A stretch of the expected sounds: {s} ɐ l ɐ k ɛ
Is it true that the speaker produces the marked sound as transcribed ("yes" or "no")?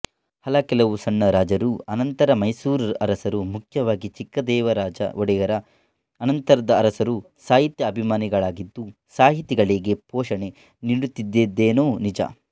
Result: no